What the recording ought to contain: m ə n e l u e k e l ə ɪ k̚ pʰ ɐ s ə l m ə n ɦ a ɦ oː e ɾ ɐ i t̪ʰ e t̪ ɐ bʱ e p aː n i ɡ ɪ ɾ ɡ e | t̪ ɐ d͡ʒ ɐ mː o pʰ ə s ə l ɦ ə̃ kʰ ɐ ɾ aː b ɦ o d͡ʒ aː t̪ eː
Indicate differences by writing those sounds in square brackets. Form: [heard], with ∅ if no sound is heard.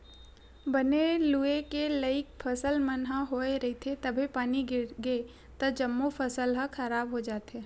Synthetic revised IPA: [b] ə n e l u e k e l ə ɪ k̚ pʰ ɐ s ə l m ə n ɦ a ɦ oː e ɾ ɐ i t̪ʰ e t̪ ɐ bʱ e p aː n i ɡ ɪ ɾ ɡ e | t̪ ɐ d͡ʒ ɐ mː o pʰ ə s ə l ɦ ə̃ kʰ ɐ ɾ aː b ɦ o d͡ʒ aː t̪ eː